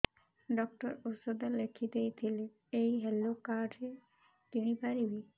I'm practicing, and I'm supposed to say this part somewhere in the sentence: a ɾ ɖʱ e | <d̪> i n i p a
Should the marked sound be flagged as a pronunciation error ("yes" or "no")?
yes